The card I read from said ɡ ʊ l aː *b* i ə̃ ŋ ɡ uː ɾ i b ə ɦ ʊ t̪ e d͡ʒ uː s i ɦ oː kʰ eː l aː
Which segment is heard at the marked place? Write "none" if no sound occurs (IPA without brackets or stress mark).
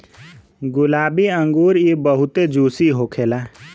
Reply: b